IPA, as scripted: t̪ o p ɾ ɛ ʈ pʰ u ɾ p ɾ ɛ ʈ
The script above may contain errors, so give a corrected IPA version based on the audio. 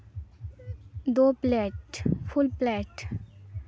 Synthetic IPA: d̪ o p l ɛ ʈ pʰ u l p l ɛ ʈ